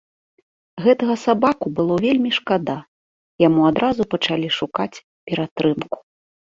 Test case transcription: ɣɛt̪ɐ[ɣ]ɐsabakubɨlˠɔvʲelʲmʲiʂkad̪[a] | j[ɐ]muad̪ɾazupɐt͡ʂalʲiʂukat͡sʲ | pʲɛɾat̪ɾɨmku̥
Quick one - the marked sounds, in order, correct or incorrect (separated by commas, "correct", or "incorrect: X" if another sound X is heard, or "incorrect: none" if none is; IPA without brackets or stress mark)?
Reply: correct, correct, incorrect: a